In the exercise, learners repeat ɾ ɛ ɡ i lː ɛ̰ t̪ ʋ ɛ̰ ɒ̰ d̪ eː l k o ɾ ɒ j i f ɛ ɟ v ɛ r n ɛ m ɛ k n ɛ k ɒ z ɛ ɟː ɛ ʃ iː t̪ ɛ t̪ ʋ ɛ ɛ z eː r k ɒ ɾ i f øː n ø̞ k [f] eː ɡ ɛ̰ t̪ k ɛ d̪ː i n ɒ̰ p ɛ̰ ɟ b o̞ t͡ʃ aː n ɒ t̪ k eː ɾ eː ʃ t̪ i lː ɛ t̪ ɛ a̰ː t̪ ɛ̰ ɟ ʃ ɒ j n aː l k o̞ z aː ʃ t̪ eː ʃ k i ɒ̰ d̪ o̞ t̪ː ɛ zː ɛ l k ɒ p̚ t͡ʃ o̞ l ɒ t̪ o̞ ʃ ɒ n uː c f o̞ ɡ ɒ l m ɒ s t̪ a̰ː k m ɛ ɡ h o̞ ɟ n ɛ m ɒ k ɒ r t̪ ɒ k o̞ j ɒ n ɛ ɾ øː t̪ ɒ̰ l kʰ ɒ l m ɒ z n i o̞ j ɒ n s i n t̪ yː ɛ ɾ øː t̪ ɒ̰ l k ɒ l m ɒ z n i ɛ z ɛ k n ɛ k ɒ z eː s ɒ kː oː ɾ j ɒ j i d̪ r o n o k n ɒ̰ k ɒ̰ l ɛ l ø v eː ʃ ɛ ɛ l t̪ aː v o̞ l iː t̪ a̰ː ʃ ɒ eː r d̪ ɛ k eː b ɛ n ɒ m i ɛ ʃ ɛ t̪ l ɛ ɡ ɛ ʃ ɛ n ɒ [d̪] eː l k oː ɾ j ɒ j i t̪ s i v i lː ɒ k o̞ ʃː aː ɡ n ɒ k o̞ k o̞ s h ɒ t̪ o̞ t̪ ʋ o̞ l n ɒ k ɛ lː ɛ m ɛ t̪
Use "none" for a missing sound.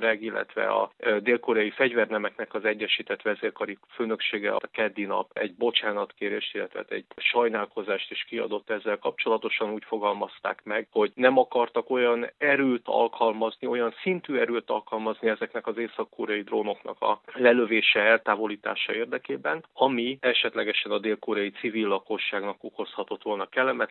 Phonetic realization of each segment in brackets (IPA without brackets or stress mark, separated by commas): ʃ, d̪